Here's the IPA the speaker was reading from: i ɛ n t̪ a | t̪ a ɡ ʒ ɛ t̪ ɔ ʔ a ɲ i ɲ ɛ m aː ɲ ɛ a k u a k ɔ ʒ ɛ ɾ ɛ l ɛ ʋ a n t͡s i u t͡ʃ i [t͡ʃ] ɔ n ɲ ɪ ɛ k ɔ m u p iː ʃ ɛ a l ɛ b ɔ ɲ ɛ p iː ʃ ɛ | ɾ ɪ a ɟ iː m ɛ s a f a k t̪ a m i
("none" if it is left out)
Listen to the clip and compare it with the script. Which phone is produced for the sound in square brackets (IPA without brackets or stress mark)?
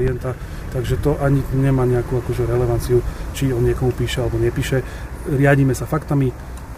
none